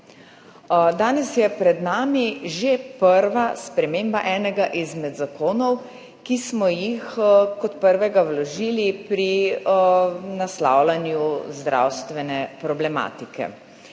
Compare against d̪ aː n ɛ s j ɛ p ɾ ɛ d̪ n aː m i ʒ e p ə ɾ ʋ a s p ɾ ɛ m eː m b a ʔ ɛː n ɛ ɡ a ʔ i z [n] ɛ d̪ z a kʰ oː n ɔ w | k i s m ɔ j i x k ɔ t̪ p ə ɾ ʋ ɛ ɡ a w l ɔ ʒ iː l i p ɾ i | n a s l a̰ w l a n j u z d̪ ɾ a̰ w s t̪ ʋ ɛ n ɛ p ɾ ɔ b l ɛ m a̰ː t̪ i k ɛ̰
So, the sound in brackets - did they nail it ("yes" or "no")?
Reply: no